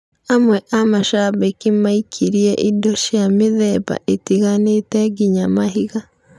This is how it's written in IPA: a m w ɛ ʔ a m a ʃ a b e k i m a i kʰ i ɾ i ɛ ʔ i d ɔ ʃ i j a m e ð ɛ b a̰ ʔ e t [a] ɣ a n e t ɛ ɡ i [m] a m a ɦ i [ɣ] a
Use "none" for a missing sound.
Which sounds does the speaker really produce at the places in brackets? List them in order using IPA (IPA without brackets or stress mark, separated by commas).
i, ɲ, ɣ